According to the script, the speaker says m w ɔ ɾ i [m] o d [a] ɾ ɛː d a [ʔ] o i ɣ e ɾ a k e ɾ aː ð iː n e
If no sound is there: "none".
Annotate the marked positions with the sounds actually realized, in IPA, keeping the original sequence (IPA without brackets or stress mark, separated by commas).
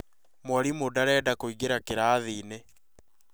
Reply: m, a, k